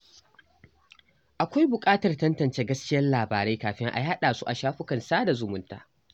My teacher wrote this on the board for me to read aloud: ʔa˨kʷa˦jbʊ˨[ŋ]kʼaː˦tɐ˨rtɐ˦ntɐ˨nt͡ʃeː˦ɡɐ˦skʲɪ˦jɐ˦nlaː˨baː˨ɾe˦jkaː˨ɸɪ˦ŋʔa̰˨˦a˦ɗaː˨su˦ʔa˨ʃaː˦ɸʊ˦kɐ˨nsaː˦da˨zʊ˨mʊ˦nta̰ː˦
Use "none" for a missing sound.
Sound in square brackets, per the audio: none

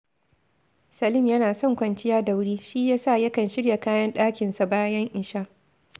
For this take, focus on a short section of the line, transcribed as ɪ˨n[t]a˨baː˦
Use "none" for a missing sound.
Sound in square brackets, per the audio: s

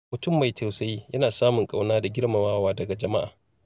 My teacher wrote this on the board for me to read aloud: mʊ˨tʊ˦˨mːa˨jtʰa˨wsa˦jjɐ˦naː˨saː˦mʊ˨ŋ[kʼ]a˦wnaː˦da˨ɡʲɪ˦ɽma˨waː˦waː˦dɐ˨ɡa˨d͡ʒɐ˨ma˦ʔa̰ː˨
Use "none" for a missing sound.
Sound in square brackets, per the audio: kʼ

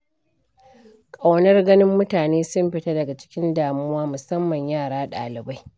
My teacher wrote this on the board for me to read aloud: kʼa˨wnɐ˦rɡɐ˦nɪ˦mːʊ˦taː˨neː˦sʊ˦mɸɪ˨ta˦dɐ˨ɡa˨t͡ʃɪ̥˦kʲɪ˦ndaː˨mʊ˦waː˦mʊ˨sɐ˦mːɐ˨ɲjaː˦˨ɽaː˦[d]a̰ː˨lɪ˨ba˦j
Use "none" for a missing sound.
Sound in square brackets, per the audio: ɗ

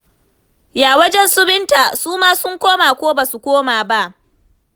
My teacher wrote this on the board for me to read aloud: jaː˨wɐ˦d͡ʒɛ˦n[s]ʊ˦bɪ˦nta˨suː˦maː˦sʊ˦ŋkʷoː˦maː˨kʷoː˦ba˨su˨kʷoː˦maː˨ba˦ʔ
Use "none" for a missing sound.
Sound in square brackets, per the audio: s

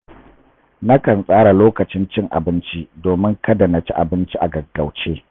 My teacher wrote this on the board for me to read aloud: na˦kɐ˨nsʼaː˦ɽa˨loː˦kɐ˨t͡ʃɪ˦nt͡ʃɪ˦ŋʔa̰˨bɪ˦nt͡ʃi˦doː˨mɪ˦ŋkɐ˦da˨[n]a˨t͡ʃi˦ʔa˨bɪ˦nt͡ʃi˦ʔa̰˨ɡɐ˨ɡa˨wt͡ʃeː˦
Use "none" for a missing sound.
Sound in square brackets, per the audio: n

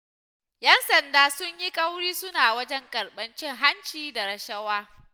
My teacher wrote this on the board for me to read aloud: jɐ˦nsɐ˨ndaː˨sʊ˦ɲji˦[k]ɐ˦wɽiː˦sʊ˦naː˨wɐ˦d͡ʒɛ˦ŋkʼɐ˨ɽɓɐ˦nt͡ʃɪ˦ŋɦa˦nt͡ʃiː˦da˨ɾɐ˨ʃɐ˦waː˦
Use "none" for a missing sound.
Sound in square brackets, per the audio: kʼ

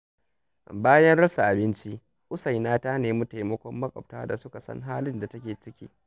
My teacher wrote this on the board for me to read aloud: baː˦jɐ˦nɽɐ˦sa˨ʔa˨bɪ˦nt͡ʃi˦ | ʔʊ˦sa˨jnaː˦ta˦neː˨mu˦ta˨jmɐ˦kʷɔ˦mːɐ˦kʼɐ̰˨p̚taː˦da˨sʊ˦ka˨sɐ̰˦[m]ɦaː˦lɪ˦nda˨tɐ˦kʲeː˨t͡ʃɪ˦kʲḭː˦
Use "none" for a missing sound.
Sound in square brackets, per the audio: ŋ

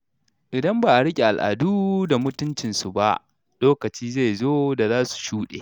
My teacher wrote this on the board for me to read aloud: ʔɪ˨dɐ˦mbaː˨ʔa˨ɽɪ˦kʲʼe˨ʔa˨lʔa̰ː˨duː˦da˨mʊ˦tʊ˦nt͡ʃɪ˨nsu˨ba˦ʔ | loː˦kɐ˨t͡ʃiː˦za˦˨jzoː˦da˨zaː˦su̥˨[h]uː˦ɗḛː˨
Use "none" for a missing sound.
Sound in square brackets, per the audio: ʃ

